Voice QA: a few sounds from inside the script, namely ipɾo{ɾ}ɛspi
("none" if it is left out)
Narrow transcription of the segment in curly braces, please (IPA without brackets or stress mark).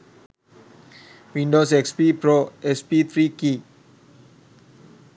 none